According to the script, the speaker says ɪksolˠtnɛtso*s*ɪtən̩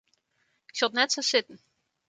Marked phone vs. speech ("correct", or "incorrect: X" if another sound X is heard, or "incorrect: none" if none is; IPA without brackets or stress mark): correct